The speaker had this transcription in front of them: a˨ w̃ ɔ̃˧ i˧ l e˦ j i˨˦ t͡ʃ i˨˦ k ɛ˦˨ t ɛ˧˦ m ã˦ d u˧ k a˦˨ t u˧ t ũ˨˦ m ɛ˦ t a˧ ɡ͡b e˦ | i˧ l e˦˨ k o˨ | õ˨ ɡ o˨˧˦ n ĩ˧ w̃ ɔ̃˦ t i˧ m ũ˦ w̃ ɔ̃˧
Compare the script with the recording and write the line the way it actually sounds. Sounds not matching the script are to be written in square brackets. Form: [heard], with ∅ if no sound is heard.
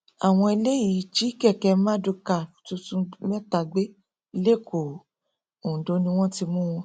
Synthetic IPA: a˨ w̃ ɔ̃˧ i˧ l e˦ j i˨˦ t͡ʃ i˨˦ k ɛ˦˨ [k] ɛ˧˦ m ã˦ d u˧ k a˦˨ t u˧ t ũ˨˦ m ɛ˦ t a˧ ɡ͡b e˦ | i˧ l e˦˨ k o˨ | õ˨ [d] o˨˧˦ n ĩ˧ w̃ ɔ̃˦ t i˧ m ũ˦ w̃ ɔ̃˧